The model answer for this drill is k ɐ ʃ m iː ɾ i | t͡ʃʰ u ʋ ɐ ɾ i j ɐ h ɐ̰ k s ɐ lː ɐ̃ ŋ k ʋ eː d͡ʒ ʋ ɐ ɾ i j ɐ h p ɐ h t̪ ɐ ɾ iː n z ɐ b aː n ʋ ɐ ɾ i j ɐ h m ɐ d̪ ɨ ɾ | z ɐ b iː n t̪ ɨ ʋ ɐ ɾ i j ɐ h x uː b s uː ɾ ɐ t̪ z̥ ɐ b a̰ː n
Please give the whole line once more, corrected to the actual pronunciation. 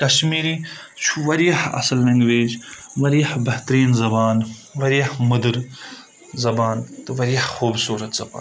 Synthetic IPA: k ɐ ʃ m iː ɾ i | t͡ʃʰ u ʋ ɐ ɾ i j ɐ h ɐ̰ s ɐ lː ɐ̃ ŋ ɡ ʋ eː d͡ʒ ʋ ɐ ɾ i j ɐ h b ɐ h t̪ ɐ ɾ iː n z ɐ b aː n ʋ ɐ ɾ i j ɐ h m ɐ d̪ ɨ ɾ | z ɐ b aː n t̪ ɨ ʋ ɐ ɾ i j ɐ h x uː b s uː ɾ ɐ t̪ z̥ ɐ b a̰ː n